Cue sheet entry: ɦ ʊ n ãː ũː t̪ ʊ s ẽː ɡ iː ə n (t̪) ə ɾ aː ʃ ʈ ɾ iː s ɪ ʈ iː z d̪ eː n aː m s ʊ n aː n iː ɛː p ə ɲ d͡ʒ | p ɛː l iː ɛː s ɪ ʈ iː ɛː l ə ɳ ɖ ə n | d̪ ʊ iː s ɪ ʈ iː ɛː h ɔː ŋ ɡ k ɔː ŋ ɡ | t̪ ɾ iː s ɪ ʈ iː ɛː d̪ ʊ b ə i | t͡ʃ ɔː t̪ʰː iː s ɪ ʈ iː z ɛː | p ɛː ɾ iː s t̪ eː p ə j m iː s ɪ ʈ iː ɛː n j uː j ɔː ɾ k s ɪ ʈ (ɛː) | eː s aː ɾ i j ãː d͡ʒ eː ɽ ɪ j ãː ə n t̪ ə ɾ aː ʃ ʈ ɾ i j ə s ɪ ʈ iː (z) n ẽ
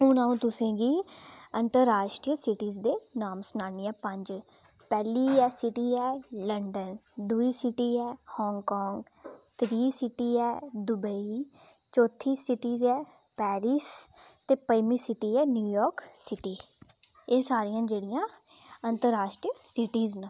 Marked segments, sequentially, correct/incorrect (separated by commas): correct, incorrect, correct